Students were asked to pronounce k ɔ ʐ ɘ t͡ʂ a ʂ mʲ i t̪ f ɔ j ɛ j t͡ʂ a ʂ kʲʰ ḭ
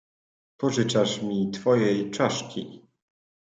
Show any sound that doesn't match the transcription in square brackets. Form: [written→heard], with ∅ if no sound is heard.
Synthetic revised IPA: [k→p] ɔ ʐ ɘ t͡ʂ a ʂ mʲ i t̪ f ɔ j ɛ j t͡ʂ a ʂ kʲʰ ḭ